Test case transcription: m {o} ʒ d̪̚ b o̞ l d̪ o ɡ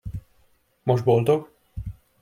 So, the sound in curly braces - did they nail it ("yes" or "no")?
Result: yes